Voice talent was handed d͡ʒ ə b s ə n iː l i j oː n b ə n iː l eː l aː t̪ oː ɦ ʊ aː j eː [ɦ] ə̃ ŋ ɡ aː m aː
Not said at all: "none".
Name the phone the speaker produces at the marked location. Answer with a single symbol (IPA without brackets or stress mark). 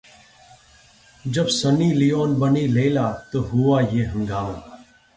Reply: ɦ